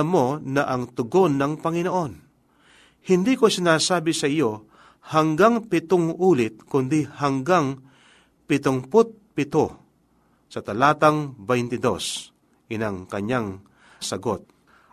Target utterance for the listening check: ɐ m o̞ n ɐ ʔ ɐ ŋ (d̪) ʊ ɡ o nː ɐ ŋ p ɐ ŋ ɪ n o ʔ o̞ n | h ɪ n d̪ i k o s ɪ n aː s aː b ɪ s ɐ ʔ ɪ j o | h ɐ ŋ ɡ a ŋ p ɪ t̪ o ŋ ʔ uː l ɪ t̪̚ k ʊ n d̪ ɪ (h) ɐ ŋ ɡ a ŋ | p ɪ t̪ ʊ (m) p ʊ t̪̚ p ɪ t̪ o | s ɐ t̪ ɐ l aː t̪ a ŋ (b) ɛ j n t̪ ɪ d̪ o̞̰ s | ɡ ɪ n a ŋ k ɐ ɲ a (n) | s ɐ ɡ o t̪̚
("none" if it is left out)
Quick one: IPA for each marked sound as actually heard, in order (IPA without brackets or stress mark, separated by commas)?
t̪, h, ŋ, b, ŋ